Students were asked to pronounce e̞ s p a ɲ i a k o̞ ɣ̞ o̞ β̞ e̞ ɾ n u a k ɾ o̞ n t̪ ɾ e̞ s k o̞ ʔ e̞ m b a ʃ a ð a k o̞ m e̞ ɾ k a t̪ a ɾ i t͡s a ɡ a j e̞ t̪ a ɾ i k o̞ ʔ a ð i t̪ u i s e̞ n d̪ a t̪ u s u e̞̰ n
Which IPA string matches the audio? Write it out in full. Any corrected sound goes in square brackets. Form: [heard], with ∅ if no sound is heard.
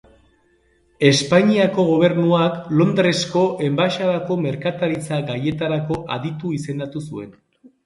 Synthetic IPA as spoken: e̞ s p a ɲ i a k o̞ ɣ̞ o̞ β̞ e̞ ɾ n u a k [l] o̞ n [d̪] ɾ e̞ s k o̞ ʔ e̞ m b a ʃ a ð a k o̞ m e̞ ɾ k a t̪ a ɾ i t͡s a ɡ a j e̞ t̪ a ɾ [a] k o̞ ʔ a ð i t̪ u i s e̞ n d̪ a t̪ u s u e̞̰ n